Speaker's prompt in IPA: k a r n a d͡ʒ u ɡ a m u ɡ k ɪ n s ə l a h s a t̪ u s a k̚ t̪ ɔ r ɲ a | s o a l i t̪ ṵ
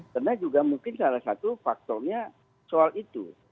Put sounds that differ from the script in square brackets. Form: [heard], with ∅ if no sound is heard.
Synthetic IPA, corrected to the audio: k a r n a d͡ʒ u ɡ a m u [ŋ] k ɪ n s [a] l a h s a t̪ u [f] a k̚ t̪ ɔ r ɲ a | s o a l i t̪ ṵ